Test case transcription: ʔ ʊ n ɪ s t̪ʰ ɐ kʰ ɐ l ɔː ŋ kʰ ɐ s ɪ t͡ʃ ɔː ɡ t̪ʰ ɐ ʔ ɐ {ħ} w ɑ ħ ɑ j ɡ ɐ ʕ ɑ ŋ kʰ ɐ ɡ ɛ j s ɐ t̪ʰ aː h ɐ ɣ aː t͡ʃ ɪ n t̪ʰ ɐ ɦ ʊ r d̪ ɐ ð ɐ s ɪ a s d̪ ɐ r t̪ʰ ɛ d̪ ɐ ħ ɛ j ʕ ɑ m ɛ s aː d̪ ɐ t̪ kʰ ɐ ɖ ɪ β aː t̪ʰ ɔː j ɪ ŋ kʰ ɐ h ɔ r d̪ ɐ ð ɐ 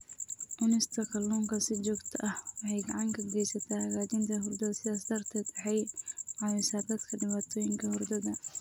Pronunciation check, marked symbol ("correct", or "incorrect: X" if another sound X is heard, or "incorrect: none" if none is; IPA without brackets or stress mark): incorrect: h